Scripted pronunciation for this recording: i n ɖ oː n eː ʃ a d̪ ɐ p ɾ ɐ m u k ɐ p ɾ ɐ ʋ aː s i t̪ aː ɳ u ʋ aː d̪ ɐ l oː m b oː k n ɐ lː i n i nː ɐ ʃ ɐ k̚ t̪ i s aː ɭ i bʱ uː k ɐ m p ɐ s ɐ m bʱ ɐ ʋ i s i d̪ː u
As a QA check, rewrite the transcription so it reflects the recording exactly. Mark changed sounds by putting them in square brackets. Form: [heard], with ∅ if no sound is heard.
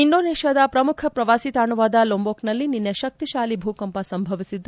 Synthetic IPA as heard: i n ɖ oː n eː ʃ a d̪ ɐ p ɾ ɐ m u [kʰ] ɐ p ɾ ɐ ʋ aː s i t̪ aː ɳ u ʋ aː d̪ ɐ l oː m b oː k n ɐ lː i n i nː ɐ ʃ ɐ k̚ t̪ i [ʃ] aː [l] i bʱ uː k ɐ m p ɐ s ɐ m bʱ ɐ ʋ i s i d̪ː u